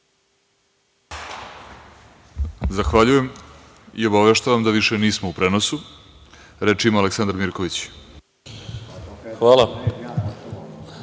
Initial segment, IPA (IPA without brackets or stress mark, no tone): z